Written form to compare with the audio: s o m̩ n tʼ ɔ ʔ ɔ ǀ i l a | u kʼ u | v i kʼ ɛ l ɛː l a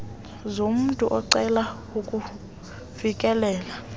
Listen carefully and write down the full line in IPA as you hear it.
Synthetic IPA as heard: z o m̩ n tʼ u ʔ ɔ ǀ ɛ l a | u kʼ u | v i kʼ ɛ l ɛː l a